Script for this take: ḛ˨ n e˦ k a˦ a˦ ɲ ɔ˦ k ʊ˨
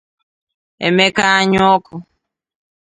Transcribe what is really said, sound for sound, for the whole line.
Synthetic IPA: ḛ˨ m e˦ k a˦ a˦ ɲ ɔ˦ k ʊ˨